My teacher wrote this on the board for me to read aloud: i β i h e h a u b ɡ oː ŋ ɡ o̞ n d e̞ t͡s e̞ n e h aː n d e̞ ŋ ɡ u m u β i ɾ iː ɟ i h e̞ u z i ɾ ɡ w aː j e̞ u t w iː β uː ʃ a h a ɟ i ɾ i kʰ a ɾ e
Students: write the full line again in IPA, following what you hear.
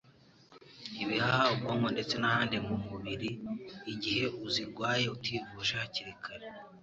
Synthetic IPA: i β i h a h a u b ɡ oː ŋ ɡ o̞ n d e̞ t͡s e̞ n a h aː n d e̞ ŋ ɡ u m u β i ɾ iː ɟ i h e̞ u z i ɾ ɡ w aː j e̞ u t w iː v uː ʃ a h a c i ɾ i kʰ a ɾ e